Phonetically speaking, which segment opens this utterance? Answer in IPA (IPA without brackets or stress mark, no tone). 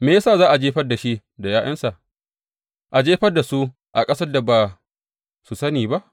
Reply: m